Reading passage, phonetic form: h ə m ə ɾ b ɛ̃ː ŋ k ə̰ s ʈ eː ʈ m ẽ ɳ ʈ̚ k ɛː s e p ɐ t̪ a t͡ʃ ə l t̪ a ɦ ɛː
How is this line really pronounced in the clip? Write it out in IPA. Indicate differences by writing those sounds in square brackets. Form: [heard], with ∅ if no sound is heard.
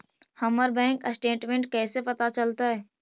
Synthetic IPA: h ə m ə ɾ b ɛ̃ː ŋ k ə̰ s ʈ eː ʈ m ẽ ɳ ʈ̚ k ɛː s e p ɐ t̪ a t͡ʃ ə l t̪ a ɦ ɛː